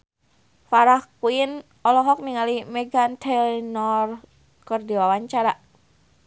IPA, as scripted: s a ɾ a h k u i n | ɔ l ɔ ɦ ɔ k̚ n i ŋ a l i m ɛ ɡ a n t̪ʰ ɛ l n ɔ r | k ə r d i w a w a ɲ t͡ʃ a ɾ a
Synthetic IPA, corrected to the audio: f a ɾ a h k u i n | ɔ l ɔ ɦ ɔ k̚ n i ŋ a l i m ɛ ɡ a n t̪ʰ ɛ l n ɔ r | k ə r d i w a w a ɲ t͡ʃ a ɾ a